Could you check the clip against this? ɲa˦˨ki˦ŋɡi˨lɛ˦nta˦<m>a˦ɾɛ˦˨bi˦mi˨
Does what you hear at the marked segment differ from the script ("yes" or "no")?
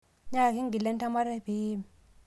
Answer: no